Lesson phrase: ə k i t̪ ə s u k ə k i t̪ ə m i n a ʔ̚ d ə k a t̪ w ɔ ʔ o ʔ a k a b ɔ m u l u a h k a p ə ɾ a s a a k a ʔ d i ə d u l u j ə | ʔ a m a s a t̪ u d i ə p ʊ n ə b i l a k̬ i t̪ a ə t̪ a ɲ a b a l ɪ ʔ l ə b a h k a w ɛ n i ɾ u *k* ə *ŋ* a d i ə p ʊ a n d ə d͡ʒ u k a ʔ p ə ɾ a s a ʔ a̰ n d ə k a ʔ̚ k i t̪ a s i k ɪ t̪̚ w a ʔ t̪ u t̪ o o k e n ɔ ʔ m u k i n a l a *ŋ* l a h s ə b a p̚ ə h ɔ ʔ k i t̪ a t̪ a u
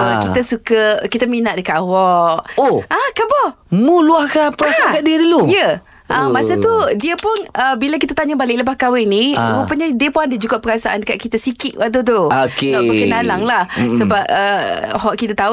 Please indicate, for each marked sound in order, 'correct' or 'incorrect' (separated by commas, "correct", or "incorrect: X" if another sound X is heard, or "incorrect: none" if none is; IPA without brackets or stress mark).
incorrect: p, incorrect: ɲ, correct